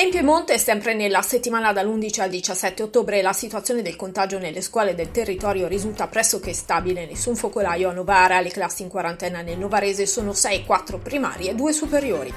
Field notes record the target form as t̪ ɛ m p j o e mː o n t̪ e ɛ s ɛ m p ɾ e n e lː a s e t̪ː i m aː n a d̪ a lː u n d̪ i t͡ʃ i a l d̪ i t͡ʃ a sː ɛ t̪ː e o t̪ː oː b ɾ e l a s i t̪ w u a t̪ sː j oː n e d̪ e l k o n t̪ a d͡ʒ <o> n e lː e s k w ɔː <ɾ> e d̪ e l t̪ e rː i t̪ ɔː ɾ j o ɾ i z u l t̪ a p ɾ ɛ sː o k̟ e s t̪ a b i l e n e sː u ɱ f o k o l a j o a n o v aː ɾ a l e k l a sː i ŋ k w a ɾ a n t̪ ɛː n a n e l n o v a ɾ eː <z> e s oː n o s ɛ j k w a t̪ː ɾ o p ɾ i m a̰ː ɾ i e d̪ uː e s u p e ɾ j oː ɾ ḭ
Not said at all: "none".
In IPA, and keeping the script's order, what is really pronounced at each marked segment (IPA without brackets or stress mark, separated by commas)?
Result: o, l, z